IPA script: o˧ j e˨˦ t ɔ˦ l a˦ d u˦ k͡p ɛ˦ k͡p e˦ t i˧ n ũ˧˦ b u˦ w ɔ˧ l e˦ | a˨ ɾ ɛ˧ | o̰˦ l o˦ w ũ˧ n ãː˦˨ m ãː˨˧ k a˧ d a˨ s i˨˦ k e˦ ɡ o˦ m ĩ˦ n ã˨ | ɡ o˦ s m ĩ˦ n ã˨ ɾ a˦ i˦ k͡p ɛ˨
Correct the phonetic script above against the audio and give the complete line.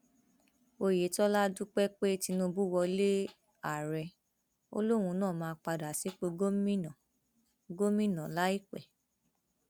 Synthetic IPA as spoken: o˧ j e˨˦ t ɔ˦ l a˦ d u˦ k͡p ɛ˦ k͡p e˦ t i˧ n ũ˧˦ b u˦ w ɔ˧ l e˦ | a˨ ɾ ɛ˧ | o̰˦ l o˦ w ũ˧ n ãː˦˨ m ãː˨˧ k͡p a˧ d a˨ s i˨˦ k͡p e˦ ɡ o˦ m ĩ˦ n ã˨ | ɡ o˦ m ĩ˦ n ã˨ l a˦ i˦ k͡p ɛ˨